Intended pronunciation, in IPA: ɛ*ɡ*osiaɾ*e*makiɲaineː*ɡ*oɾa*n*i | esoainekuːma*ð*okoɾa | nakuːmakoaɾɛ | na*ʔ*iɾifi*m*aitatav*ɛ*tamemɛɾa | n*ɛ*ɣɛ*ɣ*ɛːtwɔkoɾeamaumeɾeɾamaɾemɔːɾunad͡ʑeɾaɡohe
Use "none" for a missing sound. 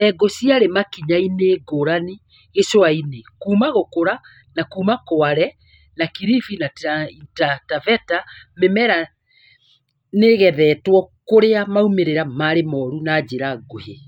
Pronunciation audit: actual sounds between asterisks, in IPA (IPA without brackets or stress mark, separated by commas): ɡ, e, ɡ, n, ɣ, k, n, ɛ, e, ð